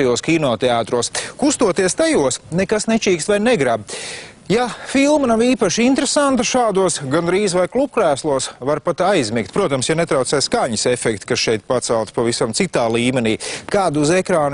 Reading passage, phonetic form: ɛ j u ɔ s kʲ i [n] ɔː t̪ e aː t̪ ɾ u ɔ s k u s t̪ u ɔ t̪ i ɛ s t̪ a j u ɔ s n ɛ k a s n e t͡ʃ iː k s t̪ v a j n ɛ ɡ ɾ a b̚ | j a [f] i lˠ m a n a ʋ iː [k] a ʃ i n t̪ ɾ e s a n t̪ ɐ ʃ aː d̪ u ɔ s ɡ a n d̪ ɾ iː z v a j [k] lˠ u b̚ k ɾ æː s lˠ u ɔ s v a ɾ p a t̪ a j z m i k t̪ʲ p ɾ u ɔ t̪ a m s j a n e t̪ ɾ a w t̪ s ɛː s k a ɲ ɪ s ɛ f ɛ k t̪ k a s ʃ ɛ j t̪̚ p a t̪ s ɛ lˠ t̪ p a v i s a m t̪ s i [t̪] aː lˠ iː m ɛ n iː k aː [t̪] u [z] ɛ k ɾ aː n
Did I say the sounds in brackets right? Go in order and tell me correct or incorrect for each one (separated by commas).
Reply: correct, correct, incorrect, correct, correct, incorrect, correct